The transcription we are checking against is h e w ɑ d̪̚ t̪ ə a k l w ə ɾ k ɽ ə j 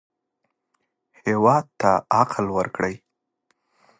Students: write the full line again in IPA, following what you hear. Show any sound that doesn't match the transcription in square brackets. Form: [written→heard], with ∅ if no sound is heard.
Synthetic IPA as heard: h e w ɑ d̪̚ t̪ [ə→a] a [k→q] l w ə ɾ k ɽ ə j